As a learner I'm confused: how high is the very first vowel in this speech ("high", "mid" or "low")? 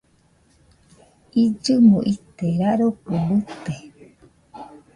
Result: high